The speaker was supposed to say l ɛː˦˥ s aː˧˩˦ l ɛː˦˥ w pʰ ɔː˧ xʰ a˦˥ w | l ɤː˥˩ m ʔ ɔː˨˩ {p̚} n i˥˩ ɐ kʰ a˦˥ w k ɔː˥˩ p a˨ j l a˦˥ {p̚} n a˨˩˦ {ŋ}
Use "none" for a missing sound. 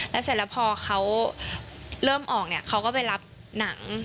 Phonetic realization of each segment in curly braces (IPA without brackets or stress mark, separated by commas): k̚, p̚, ŋ